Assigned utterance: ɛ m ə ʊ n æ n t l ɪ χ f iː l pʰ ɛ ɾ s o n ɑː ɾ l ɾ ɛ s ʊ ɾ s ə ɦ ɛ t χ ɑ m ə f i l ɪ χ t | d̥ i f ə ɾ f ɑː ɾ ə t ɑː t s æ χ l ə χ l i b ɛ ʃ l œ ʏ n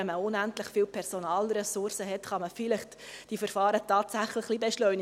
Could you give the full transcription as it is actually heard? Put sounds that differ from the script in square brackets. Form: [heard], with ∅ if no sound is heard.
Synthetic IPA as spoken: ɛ m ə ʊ n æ n t l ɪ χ f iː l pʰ ɛ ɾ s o n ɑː [∅] l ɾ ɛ s ʊ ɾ s ə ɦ ɛ t χ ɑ m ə f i l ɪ χ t | d̥ i f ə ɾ f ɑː ɾ ə t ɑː t s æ χ l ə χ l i b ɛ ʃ l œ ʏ n